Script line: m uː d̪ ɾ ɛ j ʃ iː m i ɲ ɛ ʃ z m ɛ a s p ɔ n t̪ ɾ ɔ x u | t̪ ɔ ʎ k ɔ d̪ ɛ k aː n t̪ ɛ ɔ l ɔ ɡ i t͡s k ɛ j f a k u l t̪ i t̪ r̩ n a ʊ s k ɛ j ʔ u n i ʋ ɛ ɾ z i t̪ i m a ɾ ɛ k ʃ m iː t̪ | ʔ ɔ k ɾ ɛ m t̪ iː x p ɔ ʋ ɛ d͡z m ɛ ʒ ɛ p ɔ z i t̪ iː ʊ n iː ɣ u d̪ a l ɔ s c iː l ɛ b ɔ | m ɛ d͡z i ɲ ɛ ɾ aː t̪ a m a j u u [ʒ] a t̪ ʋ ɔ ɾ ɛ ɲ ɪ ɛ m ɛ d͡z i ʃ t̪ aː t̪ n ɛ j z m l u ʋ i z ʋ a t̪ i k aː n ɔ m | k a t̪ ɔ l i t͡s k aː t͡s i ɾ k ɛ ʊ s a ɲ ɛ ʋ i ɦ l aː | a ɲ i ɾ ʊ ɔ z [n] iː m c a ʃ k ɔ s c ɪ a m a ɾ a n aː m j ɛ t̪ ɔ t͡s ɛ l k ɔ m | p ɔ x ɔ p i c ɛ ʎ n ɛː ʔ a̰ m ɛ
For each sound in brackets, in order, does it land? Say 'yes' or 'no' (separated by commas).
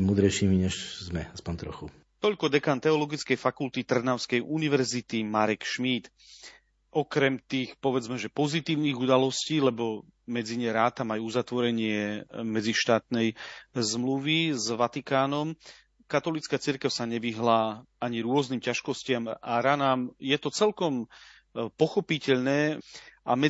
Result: no, yes